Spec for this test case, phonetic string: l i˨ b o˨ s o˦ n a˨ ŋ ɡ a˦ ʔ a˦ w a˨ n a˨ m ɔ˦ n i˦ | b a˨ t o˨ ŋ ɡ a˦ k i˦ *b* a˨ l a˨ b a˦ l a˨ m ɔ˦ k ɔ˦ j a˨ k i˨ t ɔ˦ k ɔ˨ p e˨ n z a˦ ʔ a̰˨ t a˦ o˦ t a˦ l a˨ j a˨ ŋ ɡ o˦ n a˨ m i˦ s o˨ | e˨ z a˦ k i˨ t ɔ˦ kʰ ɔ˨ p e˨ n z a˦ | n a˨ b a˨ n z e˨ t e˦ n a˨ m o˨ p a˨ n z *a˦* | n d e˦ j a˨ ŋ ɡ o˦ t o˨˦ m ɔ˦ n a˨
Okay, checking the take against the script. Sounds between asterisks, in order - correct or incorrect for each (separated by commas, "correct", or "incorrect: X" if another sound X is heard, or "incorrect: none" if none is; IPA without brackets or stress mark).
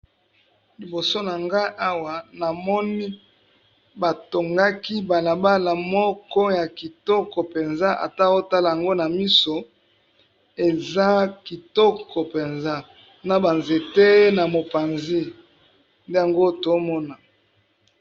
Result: correct, incorrect: i˦